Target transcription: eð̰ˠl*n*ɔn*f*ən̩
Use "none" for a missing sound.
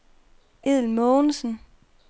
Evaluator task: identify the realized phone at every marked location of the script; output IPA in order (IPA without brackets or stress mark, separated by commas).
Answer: m, s